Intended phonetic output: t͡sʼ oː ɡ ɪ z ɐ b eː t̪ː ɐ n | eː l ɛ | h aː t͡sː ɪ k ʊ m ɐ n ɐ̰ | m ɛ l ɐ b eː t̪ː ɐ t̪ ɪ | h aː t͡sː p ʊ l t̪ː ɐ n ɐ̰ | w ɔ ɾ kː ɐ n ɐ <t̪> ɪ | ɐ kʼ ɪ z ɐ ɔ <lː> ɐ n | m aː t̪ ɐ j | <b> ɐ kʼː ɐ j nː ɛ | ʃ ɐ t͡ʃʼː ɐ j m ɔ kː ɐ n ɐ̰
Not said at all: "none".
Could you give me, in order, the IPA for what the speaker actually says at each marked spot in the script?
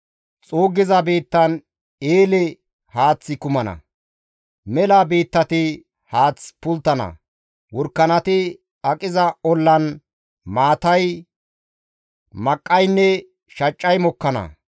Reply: t̪, lː, m

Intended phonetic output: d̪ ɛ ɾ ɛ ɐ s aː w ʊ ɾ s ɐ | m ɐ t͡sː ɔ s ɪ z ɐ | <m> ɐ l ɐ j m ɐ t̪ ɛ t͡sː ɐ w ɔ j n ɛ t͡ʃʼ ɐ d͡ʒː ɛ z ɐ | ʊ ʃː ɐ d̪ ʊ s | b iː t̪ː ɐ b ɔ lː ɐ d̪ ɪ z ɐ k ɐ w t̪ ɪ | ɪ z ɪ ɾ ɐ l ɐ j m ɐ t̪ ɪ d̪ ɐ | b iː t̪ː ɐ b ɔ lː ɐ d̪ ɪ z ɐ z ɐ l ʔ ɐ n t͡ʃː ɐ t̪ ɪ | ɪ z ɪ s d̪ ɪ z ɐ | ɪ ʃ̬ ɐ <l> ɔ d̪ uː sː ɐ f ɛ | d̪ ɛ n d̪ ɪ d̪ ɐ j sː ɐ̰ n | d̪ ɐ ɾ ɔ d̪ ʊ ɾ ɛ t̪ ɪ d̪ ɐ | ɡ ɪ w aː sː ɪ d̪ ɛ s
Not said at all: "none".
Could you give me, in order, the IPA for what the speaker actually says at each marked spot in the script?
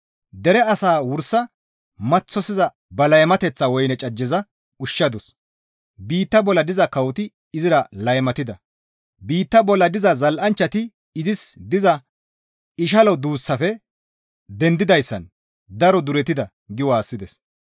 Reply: b, l

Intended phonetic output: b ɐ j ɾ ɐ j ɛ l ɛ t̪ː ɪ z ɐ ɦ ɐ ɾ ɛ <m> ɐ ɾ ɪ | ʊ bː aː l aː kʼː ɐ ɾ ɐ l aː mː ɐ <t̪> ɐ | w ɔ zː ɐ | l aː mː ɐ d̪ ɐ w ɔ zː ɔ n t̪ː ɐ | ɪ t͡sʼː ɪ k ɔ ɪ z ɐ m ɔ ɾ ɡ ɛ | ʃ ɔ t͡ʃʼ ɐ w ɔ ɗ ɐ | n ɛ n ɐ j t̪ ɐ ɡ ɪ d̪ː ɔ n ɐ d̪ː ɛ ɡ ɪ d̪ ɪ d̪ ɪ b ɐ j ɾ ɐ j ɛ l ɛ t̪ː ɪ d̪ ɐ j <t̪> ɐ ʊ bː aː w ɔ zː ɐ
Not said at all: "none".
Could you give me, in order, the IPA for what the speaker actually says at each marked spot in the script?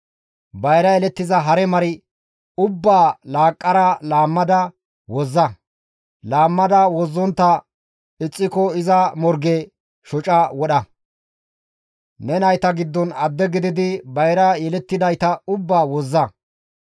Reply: m, d̪, t̪

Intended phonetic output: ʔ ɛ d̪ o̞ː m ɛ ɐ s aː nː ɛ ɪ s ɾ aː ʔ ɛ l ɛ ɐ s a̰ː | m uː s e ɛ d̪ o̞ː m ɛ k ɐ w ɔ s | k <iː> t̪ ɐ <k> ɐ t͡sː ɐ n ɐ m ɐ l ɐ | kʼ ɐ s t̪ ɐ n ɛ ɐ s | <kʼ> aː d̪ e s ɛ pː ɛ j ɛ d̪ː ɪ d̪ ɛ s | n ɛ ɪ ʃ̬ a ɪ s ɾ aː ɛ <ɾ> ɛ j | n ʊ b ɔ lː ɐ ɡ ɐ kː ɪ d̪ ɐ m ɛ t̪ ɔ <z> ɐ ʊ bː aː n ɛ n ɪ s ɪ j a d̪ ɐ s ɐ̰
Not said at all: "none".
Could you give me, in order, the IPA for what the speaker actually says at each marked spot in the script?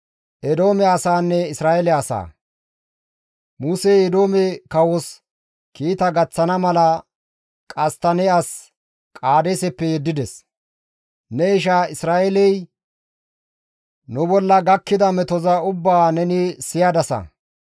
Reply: iː, ɡ, kʼ, l, z

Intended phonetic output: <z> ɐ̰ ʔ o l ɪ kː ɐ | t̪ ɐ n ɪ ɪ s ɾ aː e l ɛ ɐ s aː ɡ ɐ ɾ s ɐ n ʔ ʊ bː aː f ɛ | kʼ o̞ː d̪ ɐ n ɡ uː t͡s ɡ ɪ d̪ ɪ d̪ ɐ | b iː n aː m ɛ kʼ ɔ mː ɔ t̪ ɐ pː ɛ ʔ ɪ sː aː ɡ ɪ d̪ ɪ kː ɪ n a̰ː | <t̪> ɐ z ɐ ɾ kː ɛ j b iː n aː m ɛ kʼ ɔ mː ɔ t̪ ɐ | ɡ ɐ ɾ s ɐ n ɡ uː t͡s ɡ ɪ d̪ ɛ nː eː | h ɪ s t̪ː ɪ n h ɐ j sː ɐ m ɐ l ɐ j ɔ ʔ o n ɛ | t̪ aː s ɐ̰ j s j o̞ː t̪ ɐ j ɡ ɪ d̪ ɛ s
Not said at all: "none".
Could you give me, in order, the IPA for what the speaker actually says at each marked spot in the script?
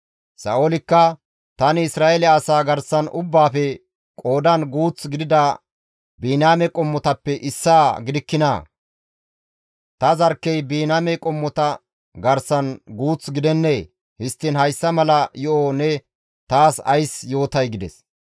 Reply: s, t̪

